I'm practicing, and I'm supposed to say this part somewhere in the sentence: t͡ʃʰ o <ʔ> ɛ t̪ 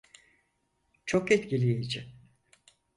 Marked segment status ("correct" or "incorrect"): incorrect